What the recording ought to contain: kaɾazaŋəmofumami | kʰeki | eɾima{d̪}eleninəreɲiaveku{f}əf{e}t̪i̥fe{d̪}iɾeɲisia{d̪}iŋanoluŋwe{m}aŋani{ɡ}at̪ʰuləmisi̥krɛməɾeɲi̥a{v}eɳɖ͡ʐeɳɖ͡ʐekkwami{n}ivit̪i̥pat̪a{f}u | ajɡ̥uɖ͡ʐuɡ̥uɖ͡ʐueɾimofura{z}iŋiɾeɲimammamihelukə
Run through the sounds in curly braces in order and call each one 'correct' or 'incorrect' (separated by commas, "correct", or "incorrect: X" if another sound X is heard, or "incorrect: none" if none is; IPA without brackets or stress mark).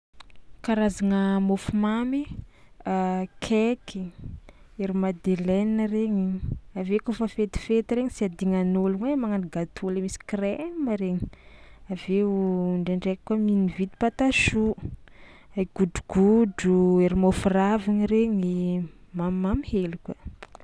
correct, correct, correct, incorrect: t̪, correct, correct, correct, correct, correct, incorrect: ʃ, incorrect: v